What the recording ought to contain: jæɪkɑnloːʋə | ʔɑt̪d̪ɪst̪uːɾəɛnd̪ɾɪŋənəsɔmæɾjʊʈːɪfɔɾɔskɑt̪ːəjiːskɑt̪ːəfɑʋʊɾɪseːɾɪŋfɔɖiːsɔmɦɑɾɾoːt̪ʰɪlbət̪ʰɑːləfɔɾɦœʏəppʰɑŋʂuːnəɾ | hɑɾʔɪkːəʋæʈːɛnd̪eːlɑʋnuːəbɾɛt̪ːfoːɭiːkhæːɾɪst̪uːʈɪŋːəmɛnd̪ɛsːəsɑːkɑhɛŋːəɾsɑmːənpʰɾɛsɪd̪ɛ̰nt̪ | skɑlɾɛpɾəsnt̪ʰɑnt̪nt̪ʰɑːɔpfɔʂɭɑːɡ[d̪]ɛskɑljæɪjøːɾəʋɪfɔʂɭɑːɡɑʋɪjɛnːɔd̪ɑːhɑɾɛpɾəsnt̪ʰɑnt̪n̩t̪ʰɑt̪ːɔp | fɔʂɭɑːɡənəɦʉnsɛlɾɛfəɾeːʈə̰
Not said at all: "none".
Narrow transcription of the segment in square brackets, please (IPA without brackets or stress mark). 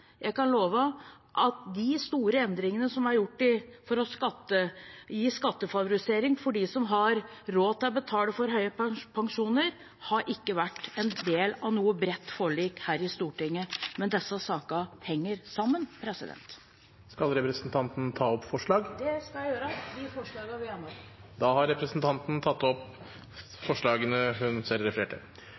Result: d̪